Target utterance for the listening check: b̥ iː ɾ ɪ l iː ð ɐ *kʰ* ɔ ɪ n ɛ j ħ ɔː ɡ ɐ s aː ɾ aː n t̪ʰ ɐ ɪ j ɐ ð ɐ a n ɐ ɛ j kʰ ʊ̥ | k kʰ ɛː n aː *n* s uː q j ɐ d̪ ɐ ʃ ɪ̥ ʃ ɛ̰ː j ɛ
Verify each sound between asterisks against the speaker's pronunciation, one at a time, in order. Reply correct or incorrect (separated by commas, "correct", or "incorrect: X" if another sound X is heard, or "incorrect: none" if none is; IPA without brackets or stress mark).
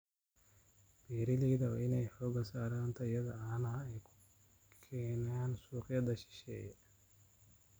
incorrect: none, correct